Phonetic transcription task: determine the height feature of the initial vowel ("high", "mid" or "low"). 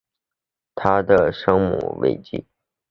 low